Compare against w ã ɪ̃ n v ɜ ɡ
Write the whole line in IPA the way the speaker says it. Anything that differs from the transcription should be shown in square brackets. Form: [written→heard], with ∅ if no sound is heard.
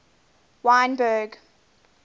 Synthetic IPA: w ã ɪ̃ n [v→b] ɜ ɡ